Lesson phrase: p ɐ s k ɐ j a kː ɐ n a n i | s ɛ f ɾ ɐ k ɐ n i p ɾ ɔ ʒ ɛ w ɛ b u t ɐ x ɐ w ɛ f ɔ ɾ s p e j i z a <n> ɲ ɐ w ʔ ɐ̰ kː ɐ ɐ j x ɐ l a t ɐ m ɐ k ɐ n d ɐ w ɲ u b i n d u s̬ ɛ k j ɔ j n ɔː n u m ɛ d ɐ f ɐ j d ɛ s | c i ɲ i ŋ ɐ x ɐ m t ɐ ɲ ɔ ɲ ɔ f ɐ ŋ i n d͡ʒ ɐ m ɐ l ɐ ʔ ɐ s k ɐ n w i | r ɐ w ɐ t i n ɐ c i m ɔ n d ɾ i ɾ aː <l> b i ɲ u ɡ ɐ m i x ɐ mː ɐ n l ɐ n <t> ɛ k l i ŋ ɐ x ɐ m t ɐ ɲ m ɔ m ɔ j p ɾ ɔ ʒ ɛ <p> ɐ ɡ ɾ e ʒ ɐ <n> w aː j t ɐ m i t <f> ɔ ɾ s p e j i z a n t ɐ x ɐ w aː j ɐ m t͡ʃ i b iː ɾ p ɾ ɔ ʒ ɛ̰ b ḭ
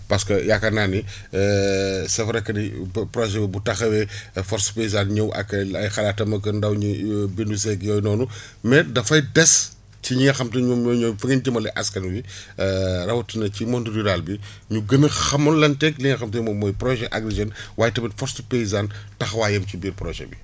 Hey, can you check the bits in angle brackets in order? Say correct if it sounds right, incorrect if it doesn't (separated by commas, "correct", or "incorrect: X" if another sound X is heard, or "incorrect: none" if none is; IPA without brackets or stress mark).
correct, correct, correct, incorrect: ʔ, correct, correct